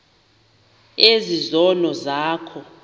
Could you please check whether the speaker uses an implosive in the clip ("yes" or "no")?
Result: no